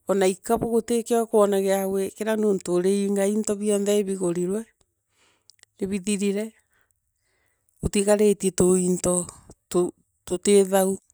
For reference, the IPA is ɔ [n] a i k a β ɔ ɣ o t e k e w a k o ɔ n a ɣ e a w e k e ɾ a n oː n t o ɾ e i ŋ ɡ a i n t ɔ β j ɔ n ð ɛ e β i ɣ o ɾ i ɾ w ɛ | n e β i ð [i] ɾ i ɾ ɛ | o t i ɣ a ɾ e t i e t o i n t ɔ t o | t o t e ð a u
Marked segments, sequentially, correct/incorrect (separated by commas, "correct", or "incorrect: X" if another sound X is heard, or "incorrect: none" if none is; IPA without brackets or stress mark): correct, correct